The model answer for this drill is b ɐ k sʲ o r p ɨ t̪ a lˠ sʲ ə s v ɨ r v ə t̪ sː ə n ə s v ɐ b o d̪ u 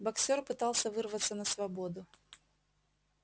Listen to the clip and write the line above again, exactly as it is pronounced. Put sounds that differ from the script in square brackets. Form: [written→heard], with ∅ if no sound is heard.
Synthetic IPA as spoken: b ɐ k sʲ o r p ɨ t̪ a lˠ sʲ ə [s→∅] v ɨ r v ə t̪ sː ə n ə s v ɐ b o d̪ [u→ʊ]